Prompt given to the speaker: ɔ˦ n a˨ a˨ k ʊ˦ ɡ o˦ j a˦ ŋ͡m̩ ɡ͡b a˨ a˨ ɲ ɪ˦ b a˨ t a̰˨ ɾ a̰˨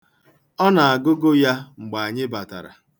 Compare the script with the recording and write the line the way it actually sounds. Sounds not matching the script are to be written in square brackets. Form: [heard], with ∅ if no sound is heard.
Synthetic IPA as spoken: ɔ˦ n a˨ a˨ [ɡ] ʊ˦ ɡ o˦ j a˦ ŋ͡m̩ ɡ͡b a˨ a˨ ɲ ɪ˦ b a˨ t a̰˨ ɾ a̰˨